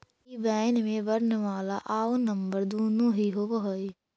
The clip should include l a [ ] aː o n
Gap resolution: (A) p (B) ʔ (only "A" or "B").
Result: B